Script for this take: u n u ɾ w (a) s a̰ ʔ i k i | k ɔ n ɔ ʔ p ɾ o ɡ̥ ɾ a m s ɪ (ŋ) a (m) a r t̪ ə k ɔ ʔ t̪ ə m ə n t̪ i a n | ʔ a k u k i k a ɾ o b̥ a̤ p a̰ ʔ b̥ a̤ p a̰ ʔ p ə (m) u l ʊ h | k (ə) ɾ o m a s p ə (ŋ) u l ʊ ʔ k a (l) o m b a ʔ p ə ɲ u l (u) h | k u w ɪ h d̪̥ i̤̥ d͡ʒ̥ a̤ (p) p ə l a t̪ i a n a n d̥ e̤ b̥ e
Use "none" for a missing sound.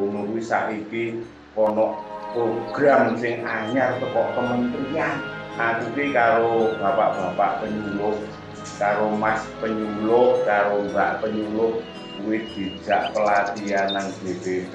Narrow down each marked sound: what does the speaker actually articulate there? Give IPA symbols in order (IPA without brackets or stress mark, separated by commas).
i, ŋ, ɲ, ɲ, a, ɲ, ɾ, ʊ, ʔ